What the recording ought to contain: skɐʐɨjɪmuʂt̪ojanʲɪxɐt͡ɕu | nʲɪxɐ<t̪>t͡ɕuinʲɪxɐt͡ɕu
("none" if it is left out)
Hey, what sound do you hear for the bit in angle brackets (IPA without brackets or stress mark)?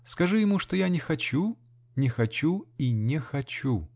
none